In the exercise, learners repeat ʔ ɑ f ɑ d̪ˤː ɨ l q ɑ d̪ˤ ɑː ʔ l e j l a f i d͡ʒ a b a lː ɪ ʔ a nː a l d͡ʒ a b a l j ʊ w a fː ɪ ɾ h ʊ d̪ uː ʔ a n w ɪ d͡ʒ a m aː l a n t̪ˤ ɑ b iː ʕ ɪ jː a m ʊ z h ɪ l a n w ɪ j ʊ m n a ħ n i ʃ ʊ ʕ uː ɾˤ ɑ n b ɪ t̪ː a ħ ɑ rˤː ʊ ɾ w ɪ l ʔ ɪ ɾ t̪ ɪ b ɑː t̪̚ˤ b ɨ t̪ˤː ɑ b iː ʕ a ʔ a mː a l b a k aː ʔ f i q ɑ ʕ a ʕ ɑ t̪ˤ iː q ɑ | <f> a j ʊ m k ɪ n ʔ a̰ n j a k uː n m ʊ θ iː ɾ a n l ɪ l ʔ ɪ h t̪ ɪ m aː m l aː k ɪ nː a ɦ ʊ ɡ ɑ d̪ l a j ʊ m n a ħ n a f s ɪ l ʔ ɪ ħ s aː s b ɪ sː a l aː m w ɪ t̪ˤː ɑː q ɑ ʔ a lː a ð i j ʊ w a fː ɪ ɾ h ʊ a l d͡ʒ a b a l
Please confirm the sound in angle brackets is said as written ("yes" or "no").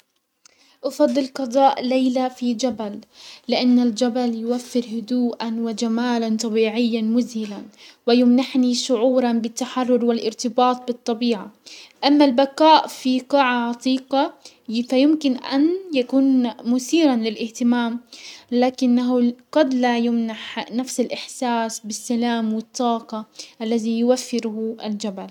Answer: yes